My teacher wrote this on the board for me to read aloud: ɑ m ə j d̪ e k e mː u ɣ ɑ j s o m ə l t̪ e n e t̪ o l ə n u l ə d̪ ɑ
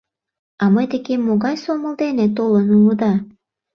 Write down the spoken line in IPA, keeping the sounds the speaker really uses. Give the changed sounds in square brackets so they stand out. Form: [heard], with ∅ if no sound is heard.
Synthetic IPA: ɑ m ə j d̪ e k e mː [o] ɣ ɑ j s o m ə l [d̪] e n e t̪ o l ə n u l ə d̪ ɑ